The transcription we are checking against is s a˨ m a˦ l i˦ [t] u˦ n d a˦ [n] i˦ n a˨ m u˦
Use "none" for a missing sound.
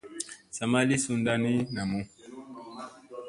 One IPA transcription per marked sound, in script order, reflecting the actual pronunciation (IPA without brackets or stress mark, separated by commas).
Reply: s, n